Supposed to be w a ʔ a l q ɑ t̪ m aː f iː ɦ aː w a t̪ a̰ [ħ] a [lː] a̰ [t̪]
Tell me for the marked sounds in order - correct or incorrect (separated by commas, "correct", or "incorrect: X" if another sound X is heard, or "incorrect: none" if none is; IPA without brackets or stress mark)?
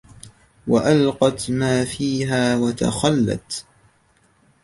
incorrect: x, correct, correct